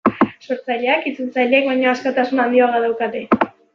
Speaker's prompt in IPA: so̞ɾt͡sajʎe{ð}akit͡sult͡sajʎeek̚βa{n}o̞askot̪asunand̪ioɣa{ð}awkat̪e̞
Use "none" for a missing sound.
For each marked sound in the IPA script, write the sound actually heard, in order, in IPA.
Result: none, ɲ, ð

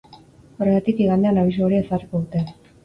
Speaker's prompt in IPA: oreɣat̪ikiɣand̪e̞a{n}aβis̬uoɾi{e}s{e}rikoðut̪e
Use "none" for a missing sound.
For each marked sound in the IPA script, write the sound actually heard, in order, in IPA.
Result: n, e, a

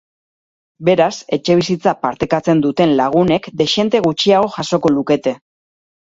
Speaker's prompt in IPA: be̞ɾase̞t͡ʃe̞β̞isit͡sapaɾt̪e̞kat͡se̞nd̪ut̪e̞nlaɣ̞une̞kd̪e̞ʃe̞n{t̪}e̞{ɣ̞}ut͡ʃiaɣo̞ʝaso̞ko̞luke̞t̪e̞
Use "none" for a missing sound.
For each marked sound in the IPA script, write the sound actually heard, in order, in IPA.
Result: t̪, ɣ̞

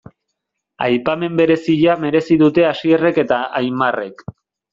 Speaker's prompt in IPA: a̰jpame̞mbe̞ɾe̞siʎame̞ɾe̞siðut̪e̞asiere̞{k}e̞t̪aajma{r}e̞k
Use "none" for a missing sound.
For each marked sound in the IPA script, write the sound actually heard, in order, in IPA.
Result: k, r

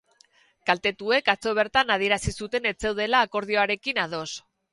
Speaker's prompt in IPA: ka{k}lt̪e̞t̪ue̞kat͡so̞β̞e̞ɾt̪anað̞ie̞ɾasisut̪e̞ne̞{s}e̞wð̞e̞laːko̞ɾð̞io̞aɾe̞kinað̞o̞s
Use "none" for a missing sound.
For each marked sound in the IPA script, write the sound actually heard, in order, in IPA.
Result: none, t͡s

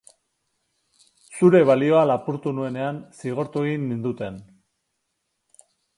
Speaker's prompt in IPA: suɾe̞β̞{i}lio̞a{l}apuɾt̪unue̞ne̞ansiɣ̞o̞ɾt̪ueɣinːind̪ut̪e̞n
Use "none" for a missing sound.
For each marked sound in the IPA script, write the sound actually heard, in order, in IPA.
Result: a, l

